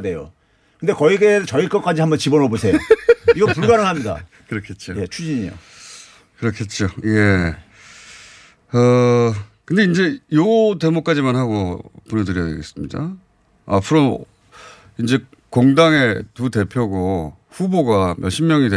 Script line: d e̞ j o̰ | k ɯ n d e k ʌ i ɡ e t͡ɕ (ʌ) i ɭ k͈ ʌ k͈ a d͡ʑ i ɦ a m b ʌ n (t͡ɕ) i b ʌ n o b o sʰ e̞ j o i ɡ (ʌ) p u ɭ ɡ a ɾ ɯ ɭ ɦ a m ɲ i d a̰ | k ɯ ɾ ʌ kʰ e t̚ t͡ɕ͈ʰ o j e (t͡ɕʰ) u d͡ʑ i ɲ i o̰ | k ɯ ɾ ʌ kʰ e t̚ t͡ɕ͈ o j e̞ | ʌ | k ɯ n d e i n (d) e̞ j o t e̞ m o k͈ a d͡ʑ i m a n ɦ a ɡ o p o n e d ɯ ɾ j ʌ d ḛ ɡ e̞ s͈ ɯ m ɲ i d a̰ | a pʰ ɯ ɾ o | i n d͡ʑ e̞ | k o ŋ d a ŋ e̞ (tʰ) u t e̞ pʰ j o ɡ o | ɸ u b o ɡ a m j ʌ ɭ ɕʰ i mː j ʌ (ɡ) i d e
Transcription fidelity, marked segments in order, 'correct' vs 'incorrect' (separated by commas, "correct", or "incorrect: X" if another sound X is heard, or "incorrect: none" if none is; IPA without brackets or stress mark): correct, correct, correct, correct, incorrect: d͡ʑ, incorrect: t, incorrect: ŋ